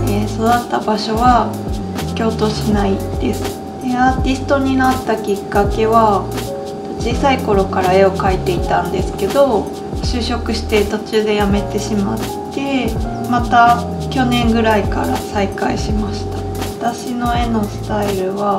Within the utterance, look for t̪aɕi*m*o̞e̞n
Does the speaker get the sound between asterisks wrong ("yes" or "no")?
yes